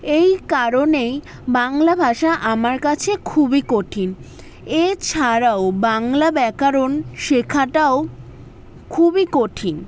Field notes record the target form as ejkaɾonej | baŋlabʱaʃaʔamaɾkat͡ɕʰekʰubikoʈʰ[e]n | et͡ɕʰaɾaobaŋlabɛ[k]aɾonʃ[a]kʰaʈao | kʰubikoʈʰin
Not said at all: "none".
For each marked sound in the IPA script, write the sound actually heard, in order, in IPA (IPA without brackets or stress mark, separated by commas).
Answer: i, k, e